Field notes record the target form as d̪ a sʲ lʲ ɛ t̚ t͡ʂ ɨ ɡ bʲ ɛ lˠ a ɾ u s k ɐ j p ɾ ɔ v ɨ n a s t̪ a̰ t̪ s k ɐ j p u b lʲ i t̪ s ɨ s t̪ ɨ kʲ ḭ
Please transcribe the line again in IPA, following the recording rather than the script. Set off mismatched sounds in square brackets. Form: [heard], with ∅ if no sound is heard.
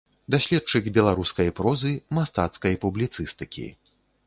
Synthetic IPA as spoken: d̪ a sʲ lʲ ɛ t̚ t͡ʂ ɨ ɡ bʲ ɛ lˠ a ɾ u s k ɐ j p ɾ ɔ [z] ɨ [m] a s t̪ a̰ t̪ s k ɐ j p u b lʲ i t̪ s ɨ s t̪ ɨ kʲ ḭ